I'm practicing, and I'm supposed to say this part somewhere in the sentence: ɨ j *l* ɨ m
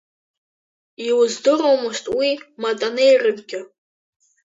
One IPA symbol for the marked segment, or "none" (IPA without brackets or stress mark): r